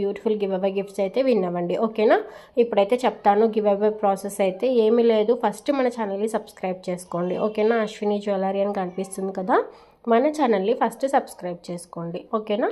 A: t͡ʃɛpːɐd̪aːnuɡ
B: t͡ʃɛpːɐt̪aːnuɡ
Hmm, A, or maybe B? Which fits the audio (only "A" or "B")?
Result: B